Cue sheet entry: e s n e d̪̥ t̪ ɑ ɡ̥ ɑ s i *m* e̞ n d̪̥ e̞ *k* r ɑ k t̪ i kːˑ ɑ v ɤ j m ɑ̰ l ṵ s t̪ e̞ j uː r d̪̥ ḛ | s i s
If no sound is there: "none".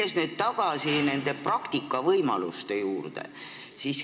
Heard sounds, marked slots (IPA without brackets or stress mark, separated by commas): n, p